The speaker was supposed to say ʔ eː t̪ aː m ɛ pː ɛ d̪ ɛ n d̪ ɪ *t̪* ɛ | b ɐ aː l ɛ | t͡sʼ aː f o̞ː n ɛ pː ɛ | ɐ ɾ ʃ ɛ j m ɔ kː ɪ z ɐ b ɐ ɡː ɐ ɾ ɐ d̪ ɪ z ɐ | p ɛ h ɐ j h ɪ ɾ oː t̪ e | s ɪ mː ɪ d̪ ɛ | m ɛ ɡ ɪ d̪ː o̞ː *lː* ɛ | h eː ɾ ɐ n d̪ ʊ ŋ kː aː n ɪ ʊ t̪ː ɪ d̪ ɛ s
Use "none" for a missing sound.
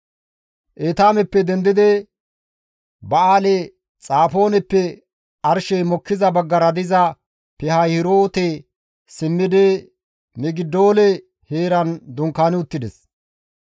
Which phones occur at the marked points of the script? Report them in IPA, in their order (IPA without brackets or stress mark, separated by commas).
d̪, l